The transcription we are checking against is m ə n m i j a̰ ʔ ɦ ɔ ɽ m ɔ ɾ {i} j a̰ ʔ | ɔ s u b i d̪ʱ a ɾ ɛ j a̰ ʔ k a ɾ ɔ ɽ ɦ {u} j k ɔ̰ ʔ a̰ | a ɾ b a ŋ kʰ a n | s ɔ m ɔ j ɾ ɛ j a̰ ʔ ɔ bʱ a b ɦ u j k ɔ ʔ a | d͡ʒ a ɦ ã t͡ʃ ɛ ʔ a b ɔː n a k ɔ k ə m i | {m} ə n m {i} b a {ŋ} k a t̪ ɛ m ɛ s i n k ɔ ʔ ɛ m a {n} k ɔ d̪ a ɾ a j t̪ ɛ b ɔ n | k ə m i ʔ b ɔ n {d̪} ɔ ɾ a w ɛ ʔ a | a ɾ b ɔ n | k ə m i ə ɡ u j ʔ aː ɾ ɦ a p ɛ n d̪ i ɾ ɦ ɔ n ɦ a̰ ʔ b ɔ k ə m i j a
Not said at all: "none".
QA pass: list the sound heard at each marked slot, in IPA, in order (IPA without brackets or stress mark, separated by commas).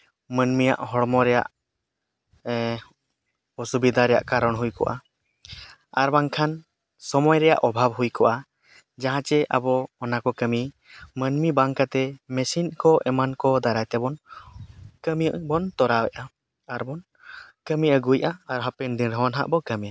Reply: ɛ, u, m, i, ŋ, n, t̪